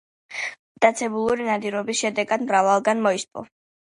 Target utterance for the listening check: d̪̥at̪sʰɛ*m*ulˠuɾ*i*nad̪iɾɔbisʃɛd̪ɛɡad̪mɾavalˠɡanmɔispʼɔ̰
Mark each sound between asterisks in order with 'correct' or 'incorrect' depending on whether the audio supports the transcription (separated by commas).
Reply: incorrect, correct